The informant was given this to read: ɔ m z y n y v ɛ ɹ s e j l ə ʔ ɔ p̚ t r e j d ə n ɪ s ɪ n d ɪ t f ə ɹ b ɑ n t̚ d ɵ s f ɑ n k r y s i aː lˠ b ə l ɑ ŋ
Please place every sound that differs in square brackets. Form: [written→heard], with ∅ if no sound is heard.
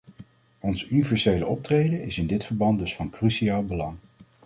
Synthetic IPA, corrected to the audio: ɔ [m→n] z y n [y→i] v ɛ ɹ s e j l ə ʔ ɔ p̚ t r e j d ə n ɪ s ɪ n d ɪ t f ə ɹ b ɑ n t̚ d ɵ s f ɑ n k r y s i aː lˠ b ə l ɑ ŋ